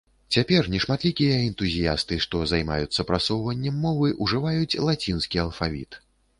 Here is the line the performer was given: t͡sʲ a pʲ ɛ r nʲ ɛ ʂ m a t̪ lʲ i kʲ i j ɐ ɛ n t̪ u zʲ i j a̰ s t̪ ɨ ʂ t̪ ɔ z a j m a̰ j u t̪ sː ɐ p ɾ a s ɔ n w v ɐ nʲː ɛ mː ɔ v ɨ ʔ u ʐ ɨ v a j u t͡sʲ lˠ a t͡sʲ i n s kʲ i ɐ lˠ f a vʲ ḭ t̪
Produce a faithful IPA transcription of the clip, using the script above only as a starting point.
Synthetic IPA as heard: t͡sʲ a pʲ ɛ r nʲ ɛ ʂ m a t̪ lʲ i kʲ i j ɐ ɛ n t̪ u zʲ i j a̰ s t̪ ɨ ʂ t̪ ɔ z a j m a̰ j u t̪ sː ɐ p ɾ a s ɔ w v ɐ nʲː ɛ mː ɔ v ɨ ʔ u ʐ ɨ v a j u t͡sʲ lˠ a t͡sʲ i n s kʲ i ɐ lˠ f a vʲ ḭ t̪